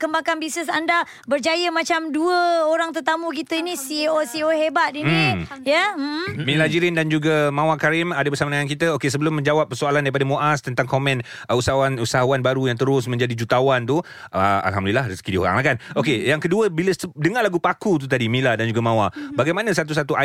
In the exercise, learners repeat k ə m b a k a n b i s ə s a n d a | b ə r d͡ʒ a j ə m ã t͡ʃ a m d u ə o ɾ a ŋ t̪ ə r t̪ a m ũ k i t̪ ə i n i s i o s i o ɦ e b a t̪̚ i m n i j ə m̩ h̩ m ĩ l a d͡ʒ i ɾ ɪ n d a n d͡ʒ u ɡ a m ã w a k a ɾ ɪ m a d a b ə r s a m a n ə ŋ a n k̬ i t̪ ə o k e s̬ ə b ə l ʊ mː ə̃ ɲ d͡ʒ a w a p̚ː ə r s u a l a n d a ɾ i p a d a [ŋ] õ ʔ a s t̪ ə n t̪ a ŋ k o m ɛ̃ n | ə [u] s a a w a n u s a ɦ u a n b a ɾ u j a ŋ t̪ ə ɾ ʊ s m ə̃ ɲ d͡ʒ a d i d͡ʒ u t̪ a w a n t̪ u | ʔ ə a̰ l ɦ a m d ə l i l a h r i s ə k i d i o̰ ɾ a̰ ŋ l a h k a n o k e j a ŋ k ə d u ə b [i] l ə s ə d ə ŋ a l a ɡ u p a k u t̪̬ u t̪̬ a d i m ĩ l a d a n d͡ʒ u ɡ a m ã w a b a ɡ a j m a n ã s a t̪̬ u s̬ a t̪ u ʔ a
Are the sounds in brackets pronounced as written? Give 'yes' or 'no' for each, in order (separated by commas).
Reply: no, yes, yes